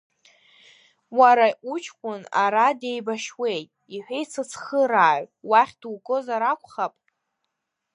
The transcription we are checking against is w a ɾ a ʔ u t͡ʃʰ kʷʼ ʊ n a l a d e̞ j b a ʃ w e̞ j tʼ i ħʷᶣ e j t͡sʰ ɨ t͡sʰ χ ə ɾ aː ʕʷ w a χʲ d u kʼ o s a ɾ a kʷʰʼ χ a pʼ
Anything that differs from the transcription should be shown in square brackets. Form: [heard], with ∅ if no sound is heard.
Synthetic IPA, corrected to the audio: w a ɾ a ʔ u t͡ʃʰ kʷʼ ʊ n a [ɾ] a d e̞ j b a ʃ w e̞ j tʼ i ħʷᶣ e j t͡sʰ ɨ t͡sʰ χ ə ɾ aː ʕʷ w a χʲ d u kʼ o [z] a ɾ a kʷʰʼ χ a pʼ